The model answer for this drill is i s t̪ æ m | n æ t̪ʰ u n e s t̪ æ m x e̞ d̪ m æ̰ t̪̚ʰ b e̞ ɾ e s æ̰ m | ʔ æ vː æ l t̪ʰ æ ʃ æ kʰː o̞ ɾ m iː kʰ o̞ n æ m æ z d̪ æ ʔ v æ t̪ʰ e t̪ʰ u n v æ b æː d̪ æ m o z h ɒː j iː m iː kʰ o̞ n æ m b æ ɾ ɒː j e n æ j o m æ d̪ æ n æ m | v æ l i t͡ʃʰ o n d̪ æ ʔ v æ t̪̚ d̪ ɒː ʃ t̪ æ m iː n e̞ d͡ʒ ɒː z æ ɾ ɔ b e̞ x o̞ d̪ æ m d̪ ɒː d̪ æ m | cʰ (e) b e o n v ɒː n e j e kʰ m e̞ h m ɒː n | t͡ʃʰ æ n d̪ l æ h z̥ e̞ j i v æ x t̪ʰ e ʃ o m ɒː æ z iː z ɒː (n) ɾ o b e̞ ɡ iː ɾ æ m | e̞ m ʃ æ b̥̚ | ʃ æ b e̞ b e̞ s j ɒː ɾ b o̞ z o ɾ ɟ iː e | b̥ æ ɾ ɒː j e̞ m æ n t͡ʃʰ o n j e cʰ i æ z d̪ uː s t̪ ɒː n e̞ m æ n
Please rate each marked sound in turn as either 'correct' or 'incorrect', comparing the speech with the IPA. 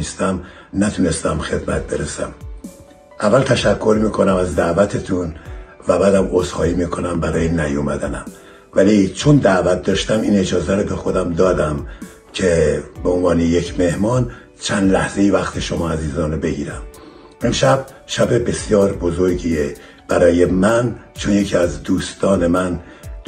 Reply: correct, correct

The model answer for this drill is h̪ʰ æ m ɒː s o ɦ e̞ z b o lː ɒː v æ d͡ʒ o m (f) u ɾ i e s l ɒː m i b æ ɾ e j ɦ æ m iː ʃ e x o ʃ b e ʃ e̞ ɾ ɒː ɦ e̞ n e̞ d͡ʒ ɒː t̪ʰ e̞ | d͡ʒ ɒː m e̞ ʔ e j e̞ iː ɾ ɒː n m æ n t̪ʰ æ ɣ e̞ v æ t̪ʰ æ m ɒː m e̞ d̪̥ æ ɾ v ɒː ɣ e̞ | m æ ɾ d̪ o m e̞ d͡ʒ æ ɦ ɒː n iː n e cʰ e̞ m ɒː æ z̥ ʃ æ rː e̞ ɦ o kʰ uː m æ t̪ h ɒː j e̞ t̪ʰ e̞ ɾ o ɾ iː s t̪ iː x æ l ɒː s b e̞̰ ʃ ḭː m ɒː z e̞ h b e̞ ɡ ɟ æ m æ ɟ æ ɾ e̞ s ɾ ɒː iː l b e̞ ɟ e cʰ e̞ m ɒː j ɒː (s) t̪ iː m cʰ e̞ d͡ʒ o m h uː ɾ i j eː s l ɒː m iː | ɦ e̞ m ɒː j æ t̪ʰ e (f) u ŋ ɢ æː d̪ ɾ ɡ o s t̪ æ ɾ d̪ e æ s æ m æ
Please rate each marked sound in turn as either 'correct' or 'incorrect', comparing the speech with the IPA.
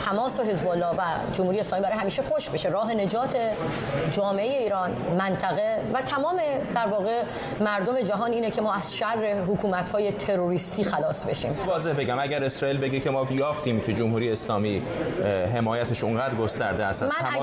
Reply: incorrect: h, incorrect: f, incorrect: ʃ

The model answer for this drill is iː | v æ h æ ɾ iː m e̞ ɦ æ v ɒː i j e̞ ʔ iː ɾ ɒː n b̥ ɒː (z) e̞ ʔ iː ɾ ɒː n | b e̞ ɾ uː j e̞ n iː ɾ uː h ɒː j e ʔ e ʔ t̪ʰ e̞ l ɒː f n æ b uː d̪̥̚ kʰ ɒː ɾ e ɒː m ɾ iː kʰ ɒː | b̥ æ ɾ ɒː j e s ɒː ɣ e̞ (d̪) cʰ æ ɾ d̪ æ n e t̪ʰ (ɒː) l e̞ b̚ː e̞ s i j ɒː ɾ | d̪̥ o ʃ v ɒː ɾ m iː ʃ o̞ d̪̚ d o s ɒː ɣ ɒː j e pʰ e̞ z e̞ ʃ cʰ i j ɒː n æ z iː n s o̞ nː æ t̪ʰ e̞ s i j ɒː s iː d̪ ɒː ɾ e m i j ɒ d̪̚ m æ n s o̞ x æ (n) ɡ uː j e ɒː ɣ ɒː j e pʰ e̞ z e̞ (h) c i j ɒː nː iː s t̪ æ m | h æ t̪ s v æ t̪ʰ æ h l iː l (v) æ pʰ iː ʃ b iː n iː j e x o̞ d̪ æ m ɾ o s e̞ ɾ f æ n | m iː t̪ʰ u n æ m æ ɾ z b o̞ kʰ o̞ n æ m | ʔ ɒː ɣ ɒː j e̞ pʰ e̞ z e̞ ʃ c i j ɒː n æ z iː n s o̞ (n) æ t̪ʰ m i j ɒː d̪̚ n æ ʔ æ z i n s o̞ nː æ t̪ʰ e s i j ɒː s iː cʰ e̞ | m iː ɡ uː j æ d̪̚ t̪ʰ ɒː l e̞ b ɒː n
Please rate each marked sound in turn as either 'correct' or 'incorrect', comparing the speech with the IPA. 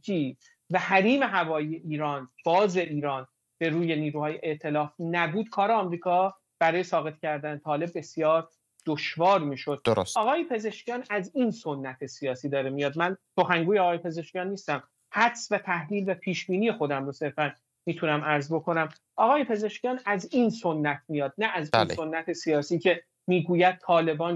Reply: correct, incorrect: t̪, correct, incorrect: ŋ, incorrect: ʃ, correct, incorrect: nː

